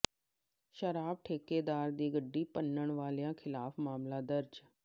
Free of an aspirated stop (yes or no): no